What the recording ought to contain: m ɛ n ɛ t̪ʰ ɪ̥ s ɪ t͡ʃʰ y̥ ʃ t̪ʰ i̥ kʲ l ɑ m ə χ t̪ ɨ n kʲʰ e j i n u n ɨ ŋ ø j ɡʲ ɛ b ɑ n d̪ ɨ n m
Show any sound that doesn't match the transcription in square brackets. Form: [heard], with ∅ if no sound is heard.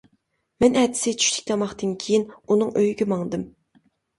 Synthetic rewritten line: m ɛ n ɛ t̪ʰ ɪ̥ s ɪ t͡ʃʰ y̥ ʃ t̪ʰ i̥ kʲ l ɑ m [ɑ] χ t̪ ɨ n kʲʰ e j i n u n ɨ ŋ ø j ɡʲ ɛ [m] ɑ [ŋ] d̪ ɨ [∅] m